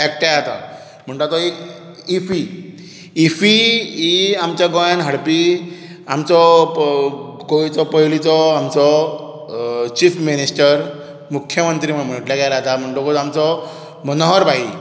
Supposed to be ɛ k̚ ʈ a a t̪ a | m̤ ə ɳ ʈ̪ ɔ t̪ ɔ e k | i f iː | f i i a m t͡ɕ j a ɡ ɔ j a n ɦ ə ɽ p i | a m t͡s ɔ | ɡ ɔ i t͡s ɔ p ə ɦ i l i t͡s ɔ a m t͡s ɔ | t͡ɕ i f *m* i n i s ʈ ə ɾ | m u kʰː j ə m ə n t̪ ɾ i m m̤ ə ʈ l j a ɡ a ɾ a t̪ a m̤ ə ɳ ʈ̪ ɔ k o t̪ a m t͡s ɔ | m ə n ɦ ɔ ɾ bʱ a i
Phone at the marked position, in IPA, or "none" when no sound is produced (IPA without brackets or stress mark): m